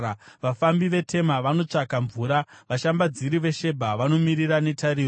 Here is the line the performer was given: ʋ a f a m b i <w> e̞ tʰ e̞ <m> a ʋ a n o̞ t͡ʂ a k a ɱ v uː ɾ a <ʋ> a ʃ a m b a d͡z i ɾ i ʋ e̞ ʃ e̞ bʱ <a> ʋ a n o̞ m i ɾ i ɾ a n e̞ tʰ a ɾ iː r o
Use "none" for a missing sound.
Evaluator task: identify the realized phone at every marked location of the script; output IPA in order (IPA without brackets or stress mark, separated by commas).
ʋ, m, ʋ, a